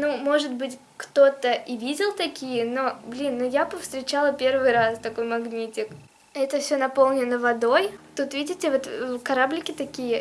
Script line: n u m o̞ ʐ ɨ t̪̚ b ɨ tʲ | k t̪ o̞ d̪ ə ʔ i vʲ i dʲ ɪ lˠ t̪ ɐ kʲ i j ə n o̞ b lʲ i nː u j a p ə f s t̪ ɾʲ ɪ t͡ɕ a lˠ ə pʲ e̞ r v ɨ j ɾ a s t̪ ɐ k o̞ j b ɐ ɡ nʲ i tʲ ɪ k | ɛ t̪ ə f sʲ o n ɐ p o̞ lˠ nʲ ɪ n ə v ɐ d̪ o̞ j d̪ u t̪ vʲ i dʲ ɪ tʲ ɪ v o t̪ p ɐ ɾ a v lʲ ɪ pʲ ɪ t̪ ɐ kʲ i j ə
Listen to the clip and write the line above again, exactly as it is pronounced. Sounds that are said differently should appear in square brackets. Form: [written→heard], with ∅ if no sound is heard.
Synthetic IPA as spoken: n u m o̞ ʐ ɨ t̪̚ b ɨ tʲ | k t̪ o̞ [d̪→t̪] ə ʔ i vʲ i dʲ ɪ lˠ t̪ ɐ kʲ i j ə n o̞ b lʲ i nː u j a p ə f s t̪ ɾʲ ɪ t͡ɕ a lˠ ə pʲ e̞ r v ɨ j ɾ a s t̪ ɐ k o̞ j [b→m] ɐ ɡ nʲ i tʲ ɪ k | ɛ t̪ ə f sʲ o n ɐ p o̞ lˠ nʲ ɪ n ə v ɐ d̪ o̞ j [d̪→t̪] u t̪ vʲ i dʲ ɪ tʲ ɪ v o t̪ [p→k] ɐ ɾ a [v→b] lʲ ɪ [pʲ→kʲ] ɪ t̪ ɐ kʲ i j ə